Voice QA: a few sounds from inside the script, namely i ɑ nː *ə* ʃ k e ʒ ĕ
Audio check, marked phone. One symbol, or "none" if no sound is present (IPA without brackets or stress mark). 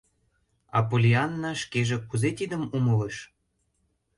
ɑ